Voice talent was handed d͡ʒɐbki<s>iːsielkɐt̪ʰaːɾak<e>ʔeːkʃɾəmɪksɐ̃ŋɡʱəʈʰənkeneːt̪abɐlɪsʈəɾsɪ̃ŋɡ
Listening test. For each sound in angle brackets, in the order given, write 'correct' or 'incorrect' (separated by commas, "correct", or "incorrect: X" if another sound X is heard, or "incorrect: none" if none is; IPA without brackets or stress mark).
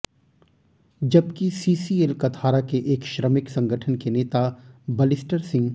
correct, correct